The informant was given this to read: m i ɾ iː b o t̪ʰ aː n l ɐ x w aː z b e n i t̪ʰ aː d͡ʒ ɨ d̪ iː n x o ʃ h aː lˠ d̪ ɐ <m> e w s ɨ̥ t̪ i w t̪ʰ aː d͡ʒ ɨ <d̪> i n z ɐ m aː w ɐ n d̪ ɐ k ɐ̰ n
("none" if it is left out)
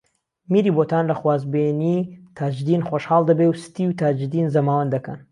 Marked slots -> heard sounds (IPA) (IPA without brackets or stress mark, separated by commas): b, d̪